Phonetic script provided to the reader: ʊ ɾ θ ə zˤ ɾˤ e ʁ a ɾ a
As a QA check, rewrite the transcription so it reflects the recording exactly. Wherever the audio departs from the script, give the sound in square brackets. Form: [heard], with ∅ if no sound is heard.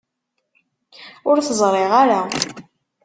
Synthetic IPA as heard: ʊ ɾ θ ə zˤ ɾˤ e ʁ a ɾ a